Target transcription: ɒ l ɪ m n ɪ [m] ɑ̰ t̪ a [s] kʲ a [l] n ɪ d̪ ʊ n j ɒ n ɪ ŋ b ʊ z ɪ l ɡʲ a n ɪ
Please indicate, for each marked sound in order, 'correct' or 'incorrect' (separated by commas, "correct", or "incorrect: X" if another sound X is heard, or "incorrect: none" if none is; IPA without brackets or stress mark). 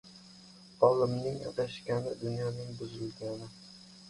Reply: incorrect: ŋ, incorrect: ʃ, incorrect: none